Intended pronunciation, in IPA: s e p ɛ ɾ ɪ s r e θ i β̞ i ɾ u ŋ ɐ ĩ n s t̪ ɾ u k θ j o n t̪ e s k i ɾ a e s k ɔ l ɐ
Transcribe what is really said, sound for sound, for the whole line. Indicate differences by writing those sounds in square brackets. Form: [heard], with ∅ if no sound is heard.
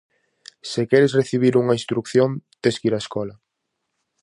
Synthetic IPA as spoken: s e [k] ɛ ɾ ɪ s r e θ i β̞ i ɾ u ŋ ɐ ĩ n s t̪ ɾ u k θ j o n t̪ e s k i ɾ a e s k ɔ l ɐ